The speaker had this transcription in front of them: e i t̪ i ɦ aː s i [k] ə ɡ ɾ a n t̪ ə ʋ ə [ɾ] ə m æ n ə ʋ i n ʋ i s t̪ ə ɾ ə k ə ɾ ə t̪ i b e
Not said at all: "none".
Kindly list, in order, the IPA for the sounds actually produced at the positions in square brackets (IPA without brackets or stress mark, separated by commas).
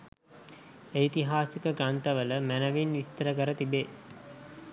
k, l